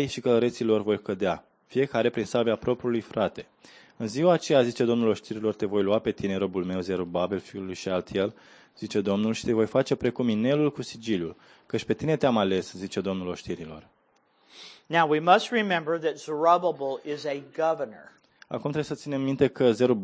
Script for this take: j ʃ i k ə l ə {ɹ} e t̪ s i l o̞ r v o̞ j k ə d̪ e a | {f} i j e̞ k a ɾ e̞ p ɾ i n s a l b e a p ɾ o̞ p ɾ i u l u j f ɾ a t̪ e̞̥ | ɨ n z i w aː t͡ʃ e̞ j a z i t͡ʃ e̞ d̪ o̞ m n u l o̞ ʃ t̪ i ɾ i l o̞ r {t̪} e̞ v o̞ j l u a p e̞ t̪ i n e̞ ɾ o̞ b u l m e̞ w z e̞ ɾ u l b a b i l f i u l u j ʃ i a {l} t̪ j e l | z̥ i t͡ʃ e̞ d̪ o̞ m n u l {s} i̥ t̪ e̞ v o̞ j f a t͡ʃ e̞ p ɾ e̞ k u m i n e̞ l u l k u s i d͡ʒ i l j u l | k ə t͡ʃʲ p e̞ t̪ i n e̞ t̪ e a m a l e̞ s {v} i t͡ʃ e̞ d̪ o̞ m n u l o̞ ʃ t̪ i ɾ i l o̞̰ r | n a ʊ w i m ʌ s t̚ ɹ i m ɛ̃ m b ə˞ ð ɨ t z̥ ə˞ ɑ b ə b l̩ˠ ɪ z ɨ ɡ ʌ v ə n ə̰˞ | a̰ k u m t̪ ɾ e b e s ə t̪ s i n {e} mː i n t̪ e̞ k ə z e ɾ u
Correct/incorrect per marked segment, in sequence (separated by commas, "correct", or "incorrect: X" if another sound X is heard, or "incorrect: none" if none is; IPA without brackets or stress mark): incorrect: ɾ, correct, correct, correct, incorrect: ʃ, incorrect: z, correct